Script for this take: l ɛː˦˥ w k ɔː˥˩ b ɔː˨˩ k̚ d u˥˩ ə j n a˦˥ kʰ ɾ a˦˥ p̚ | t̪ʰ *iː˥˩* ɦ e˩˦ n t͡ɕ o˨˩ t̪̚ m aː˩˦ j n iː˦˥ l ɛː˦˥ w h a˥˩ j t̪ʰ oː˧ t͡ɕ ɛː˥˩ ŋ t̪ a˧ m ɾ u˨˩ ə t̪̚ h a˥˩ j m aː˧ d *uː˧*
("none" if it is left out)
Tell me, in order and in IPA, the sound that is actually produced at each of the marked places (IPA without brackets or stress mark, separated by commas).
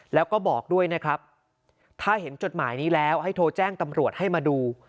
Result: aː˥˩, uː˧